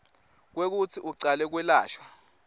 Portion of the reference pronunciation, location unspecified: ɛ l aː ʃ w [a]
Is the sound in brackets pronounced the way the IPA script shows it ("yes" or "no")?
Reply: yes